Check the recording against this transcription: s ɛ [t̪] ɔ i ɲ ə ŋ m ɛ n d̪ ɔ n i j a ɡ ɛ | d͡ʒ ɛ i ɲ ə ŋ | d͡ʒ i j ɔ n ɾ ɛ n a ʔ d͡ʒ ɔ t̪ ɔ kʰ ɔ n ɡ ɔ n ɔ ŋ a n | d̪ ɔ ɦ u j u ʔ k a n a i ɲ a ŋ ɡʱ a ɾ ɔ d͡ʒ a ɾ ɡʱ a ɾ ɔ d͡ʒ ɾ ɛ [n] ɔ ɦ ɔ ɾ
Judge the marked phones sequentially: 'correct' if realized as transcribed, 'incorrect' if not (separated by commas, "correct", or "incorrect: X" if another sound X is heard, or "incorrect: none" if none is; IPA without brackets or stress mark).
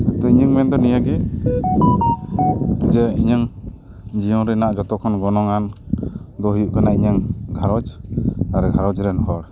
correct, correct